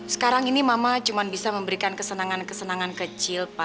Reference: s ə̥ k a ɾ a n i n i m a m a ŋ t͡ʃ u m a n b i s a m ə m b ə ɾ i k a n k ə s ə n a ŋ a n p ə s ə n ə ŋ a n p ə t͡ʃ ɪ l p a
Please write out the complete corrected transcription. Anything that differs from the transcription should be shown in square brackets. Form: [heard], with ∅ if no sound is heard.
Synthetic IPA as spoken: s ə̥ k a ɾ a [ŋ] i n i m a m a [∅] t͡ʃ u m a n b i s a m ə m b ə ɾ i k a n k ə s ə n a ŋ a n [k] ə s ə n [a] ŋ a n [k] ə t͡ʃ ɪ l p a